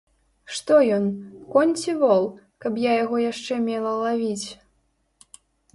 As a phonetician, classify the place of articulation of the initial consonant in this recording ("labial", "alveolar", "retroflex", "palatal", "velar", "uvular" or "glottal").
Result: retroflex